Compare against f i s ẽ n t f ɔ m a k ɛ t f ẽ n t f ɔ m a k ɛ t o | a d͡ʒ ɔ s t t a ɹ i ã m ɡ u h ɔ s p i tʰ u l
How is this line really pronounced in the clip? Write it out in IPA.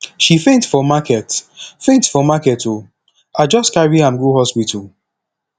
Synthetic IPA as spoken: ʃ i f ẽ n t f ɔ m a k ɛ t f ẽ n t f ɔ m a k ɛ t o | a d͡ʒ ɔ s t k a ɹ i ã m ɡ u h ɔ s p i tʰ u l

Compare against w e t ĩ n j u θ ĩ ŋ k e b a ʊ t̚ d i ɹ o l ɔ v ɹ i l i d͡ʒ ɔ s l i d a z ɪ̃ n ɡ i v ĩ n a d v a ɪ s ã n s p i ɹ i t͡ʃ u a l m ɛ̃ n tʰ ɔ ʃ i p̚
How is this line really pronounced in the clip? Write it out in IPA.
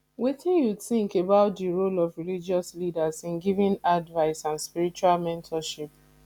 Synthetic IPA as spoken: w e t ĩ n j u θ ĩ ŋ k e b a ʊ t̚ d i ɹ o l ɔ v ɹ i l i d͡ʒ ɔ s l i d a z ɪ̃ n ɡ i v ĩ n a d v a ɪ s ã n s p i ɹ i t͡ʃ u a l m ɛ̃ n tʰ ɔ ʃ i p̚

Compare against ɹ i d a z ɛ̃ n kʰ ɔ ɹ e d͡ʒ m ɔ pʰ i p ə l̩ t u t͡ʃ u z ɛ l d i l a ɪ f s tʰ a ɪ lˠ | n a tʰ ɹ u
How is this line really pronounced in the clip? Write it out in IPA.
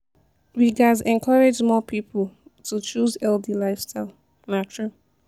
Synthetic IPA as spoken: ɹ i ɡ a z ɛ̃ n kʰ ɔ ɹ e d͡ʒ m ɔ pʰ i p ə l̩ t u t͡ʃ u z ɛ l d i l a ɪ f s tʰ a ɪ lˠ | n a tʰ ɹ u

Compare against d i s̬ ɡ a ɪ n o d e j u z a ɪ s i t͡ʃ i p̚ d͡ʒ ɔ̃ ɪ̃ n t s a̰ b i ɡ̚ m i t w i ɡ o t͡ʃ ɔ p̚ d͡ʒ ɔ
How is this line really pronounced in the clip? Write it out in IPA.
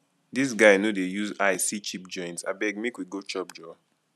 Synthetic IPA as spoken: d i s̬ ɡ a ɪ n o d e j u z a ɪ s i t͡ʃ i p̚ d͡ʒ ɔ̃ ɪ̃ n t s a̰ b ɛ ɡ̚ m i k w i ɡ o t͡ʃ ɔ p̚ d͡ʒ ɔ

